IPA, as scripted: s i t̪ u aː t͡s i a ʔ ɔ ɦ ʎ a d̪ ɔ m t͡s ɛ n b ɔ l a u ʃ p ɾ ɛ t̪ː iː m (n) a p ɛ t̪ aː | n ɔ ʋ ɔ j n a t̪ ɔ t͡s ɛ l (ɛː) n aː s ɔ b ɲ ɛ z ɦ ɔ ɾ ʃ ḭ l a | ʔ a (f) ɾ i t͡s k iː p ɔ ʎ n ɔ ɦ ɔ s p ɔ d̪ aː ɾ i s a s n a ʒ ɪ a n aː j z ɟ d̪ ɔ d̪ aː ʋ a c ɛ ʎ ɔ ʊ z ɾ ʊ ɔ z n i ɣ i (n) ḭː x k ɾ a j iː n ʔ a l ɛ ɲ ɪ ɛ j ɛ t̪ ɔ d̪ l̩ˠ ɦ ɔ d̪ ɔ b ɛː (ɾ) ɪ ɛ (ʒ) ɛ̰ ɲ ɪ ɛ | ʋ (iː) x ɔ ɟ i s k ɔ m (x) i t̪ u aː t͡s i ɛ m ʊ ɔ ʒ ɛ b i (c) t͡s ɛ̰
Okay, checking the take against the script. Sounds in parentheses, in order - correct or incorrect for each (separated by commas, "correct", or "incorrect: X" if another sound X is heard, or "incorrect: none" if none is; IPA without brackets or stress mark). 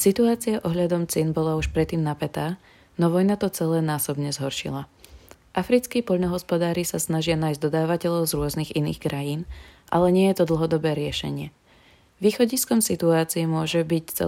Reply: correct, correct, correct, correct, correct, incorrect: ʃ, correct, incorrect: s, correct